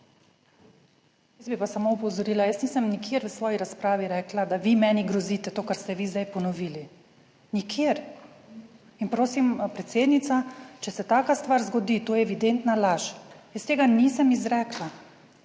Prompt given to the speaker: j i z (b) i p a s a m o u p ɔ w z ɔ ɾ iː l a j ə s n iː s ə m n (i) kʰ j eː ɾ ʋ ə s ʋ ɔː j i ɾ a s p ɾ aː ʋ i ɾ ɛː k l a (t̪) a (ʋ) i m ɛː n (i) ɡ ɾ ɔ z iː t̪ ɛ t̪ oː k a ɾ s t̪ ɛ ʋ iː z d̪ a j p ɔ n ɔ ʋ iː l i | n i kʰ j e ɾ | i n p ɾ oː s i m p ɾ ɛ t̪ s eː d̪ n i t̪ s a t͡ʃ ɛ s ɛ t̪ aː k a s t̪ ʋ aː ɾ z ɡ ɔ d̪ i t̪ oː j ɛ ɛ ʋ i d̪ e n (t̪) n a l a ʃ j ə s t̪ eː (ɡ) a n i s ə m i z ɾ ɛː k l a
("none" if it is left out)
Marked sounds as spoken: b, i, d̪, ʋ, i, t̪, ɡ

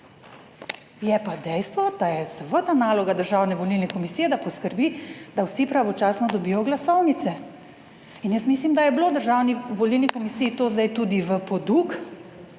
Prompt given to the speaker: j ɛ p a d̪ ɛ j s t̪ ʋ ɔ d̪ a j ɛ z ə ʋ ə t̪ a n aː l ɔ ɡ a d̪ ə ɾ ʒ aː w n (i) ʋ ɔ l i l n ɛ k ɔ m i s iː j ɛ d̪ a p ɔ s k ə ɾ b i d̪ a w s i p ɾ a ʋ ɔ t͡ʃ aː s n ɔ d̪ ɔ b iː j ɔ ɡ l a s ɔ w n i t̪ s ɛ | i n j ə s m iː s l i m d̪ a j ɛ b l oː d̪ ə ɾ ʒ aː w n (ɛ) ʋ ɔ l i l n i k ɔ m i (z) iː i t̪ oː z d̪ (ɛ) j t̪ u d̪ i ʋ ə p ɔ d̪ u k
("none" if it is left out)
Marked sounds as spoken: ɛ, i, s, a

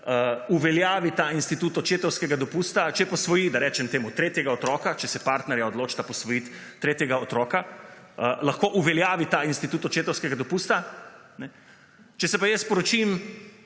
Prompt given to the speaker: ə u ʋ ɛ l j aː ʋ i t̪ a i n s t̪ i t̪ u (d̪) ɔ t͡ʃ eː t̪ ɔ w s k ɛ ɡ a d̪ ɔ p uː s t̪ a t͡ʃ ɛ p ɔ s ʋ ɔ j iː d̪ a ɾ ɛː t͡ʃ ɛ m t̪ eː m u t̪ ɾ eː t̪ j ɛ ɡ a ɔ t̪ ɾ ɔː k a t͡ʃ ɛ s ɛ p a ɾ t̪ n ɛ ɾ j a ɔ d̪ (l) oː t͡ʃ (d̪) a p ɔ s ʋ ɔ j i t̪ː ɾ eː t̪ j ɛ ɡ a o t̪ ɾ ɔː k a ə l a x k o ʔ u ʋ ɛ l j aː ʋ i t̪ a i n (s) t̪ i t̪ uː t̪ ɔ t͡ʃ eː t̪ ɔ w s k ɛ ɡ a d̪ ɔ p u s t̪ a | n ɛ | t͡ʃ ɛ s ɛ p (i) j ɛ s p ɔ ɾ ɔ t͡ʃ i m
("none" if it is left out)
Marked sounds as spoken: t̪, l, t̪, s, a

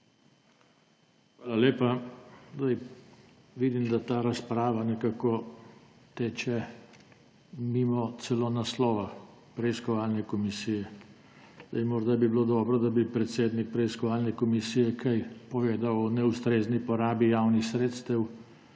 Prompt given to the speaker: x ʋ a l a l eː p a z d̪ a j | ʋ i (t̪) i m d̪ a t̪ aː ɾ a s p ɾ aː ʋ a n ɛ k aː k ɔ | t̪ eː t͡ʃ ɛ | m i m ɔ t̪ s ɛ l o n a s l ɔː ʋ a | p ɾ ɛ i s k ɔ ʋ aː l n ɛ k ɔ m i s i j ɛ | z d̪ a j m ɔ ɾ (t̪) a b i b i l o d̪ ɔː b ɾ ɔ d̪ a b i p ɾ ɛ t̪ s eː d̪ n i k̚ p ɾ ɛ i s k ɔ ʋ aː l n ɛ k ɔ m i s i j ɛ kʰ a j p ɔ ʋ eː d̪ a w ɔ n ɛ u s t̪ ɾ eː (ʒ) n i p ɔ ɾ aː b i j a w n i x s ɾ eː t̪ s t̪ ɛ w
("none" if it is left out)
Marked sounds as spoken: d̪, d̪, z

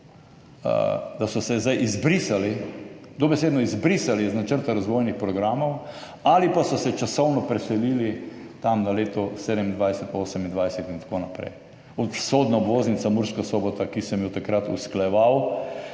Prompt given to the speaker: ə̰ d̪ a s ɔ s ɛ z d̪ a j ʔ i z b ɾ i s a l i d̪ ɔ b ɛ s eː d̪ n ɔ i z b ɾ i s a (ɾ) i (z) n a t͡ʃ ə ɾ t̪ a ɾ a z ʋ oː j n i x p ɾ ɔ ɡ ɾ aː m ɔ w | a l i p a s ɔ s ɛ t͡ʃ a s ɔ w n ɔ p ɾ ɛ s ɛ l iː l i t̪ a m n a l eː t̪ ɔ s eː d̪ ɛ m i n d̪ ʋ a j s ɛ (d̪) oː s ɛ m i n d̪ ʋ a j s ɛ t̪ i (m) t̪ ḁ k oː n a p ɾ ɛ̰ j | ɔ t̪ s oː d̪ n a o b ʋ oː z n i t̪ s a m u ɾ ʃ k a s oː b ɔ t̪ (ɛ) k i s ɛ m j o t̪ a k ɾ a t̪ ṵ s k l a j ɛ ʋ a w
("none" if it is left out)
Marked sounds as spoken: l, z, t̪, n, a

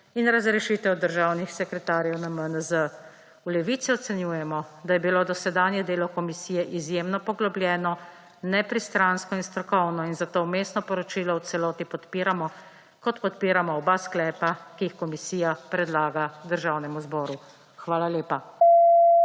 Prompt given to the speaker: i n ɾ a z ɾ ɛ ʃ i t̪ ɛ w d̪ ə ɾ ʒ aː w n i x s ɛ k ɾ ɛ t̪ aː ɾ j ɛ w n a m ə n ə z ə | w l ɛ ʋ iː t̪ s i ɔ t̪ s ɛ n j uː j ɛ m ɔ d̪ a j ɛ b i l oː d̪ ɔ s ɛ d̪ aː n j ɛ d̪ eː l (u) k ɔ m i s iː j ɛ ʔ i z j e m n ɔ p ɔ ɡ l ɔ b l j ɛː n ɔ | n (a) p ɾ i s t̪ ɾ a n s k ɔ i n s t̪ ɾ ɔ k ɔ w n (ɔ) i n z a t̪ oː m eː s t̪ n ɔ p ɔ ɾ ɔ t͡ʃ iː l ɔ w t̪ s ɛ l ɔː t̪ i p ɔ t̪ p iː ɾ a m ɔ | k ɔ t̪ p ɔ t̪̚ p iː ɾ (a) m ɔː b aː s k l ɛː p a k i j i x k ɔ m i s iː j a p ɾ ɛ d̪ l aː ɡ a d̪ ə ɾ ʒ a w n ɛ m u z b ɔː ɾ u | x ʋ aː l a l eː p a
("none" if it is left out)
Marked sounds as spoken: ɔ, ɛ, ɔ, a

